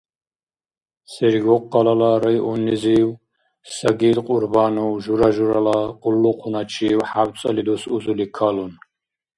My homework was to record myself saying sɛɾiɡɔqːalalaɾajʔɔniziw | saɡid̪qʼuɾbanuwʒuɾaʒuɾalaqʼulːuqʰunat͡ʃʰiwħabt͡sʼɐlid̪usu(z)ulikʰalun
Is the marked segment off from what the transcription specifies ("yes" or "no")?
no